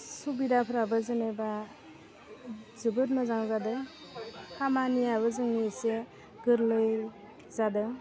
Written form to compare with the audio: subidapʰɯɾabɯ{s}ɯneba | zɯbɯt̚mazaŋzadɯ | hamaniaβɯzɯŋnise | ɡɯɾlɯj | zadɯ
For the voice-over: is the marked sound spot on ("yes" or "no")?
no